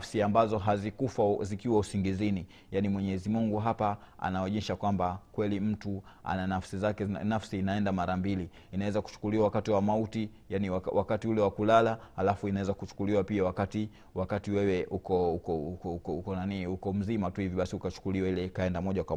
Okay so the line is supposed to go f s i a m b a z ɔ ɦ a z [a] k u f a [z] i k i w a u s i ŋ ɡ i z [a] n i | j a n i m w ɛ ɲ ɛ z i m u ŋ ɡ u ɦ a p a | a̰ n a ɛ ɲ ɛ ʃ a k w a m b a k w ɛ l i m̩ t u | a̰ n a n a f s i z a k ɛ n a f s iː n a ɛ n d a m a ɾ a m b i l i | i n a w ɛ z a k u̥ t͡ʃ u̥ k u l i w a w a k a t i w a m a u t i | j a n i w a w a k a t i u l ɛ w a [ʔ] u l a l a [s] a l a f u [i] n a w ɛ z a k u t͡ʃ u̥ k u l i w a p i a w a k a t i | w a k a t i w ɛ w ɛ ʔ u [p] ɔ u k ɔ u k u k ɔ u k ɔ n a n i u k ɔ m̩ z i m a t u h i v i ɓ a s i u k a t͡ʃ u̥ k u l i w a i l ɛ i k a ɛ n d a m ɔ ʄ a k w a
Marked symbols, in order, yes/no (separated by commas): no, yes, no, no, no, yes, no